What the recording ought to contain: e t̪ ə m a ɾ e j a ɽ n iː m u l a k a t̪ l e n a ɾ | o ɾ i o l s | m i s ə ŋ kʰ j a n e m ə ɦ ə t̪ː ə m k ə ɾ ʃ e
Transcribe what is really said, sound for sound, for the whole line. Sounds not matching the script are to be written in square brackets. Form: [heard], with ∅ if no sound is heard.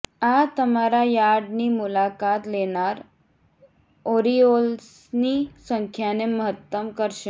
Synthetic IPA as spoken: [a] t̪ ə m a ɾ [a] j a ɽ n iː m u l a k a t̪ l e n a ɾ | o ɾ i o l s | [n] i s ə ŋ kʰ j a n e m ə ɦ ə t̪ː ə m k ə ɾ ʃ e